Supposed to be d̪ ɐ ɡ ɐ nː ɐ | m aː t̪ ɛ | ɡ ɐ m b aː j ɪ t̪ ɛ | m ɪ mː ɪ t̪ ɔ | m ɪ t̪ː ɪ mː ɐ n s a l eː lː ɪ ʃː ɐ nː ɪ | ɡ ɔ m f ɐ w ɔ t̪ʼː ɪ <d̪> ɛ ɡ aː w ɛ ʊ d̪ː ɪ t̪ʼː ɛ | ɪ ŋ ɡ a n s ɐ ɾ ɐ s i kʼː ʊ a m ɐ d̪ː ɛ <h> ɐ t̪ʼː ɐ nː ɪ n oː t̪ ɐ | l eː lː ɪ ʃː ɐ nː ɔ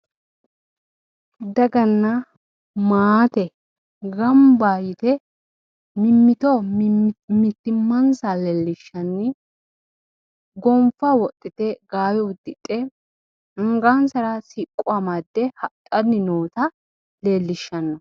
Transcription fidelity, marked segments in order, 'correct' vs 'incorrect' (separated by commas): incorrect, correct